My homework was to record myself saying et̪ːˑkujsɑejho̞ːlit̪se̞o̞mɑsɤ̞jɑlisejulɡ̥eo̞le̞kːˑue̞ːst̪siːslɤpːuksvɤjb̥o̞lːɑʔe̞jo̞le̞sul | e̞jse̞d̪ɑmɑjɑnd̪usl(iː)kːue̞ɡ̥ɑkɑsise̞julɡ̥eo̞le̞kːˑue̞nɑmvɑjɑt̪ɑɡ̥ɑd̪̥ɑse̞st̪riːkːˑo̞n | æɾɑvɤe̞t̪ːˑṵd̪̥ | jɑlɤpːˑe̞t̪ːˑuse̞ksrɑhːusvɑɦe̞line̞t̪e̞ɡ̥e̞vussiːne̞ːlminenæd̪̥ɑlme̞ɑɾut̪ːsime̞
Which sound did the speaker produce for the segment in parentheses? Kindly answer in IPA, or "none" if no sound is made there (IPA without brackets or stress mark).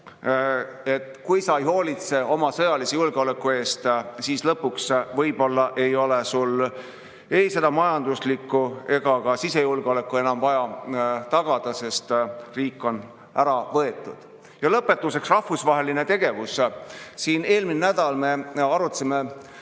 i